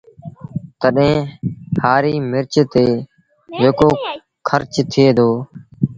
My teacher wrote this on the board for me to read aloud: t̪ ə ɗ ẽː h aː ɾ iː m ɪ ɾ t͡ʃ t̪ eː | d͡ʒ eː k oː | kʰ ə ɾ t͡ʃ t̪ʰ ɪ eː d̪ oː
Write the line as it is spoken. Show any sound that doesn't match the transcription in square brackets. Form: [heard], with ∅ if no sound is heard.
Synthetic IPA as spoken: t̪ ə ɗ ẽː h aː ɾ iː m ɪ ɾ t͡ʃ t̪ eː | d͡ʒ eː k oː | kʰ ə ɾ t͡ʃ t̪ʰ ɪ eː d̪ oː